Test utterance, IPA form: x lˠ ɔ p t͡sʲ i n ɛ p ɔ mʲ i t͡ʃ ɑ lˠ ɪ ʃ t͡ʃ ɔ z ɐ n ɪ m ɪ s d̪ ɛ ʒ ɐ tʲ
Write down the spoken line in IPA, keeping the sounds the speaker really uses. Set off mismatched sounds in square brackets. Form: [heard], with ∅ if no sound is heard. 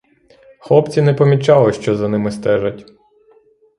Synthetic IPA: x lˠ ɔ p t͡sʲ i n ɛ p ɔ mʲ i t͡ʃ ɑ lˠ ɪ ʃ t͡ʃ ɔ z ɐ n ɪ m ɪ s [t̪] ɛ ʒ ɐ tʲ